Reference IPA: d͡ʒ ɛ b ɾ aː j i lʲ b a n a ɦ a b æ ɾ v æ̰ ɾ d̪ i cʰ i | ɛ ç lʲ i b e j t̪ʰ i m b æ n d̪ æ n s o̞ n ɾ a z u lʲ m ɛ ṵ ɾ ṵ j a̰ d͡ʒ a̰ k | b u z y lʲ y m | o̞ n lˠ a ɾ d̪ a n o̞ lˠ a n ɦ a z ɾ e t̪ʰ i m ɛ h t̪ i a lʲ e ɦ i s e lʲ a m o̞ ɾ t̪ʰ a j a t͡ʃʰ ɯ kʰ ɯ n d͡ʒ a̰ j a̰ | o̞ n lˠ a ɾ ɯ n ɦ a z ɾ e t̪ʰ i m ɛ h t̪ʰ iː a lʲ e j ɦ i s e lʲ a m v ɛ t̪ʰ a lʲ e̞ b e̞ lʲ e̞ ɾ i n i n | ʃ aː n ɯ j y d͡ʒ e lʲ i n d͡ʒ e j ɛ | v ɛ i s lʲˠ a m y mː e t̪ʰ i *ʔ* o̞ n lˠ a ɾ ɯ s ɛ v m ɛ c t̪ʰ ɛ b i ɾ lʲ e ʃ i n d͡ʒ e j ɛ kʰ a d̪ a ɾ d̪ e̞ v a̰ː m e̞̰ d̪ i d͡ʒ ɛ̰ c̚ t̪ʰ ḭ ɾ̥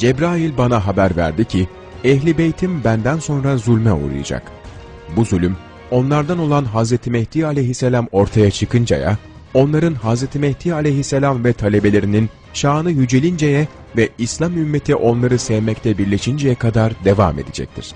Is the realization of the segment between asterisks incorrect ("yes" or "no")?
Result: no